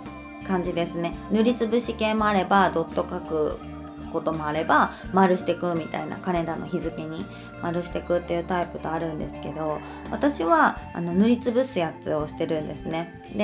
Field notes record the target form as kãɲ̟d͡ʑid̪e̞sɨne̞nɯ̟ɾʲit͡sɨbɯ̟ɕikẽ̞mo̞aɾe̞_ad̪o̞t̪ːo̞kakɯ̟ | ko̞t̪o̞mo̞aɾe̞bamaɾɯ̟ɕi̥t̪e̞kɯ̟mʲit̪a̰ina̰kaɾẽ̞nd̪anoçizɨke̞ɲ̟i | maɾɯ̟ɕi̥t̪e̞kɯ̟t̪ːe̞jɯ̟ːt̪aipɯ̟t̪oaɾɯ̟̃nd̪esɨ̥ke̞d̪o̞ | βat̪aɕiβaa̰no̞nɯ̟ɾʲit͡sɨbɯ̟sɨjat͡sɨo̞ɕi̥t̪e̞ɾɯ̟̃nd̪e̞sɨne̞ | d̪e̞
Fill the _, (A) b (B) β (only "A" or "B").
A